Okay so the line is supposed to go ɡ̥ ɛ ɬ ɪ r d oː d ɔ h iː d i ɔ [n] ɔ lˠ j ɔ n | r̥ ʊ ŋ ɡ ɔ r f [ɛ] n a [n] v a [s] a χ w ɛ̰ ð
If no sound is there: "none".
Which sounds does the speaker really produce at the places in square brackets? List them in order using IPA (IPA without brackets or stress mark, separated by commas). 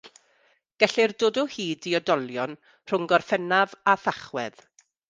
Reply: d, ɛ, none, θ